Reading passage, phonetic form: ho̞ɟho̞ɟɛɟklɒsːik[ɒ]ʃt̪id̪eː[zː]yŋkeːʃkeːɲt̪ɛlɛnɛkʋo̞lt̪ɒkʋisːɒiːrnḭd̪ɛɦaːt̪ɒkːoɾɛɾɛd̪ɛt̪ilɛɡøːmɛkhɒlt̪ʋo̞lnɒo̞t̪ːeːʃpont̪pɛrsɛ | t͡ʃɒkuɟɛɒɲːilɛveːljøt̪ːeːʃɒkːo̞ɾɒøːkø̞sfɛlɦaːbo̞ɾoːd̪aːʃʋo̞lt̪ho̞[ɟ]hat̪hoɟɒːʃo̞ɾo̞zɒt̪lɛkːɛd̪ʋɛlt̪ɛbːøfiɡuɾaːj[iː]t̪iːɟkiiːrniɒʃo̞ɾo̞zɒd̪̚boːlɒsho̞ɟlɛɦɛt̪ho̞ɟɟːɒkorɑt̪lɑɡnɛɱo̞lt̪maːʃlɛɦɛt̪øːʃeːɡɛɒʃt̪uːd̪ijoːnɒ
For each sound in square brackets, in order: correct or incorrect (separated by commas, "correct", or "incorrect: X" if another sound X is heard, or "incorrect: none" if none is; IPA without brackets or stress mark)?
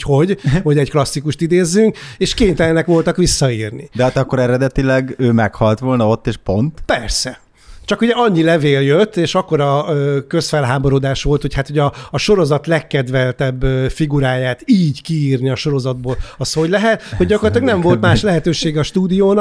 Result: incorrect: u, correct, incorrect: c, incorrect: aː